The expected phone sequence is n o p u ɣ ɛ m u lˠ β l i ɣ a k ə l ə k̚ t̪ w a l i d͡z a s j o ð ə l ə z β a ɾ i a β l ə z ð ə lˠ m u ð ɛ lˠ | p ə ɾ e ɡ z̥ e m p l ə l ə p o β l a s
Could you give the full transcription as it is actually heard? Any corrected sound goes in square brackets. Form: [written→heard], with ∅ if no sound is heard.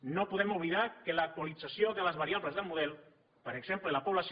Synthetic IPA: n o p u [ɣ→ð] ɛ m u [lˠ→∅] β l i [ɣ→ð] a k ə l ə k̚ t̪ w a l i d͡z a s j o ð ə l ə z β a ɾ i a β l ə z ð ə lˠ m u ð ɛ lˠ | p ə ɾ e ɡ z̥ e m p l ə l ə p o β l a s